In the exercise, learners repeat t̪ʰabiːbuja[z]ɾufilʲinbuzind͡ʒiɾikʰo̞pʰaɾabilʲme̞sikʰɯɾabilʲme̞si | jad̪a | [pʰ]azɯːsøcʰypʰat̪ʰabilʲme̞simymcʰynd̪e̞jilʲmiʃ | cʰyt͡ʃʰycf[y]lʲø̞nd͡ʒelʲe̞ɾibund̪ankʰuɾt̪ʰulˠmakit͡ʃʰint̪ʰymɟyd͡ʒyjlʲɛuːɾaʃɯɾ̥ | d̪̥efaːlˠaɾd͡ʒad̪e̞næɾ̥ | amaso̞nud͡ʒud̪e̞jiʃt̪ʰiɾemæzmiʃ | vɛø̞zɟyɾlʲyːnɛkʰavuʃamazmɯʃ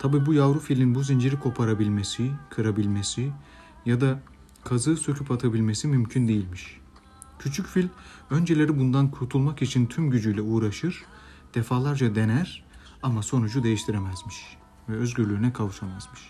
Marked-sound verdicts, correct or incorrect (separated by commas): incorrect, incorrect, incorrect